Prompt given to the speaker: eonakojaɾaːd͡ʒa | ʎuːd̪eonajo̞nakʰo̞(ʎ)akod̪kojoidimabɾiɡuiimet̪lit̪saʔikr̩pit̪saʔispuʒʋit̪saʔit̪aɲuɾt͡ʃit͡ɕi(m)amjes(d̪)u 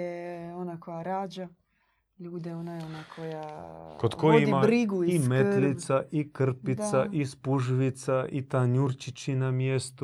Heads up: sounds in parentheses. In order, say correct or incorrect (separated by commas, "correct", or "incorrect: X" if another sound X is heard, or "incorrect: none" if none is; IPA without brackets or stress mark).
incorrect: j, incorrect: n, incorrect: t̪